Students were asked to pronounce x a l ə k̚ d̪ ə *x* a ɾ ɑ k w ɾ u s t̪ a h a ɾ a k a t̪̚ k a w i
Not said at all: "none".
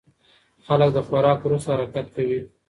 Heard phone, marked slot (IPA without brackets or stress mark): x